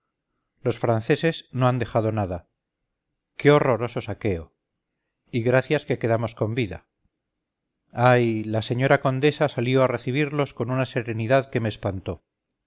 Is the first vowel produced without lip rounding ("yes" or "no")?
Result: no